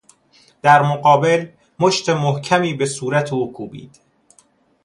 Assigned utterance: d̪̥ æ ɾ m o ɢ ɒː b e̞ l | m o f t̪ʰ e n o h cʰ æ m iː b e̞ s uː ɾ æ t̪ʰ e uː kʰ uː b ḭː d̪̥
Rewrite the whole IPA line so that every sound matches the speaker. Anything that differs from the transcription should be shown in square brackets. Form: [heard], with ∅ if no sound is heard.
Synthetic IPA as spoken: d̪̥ æ ɾ m o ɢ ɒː b e̞ l | m o [ʃ] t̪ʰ e [m] o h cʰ æ m iː b e̞ s uː ɾ æ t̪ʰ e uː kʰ uː b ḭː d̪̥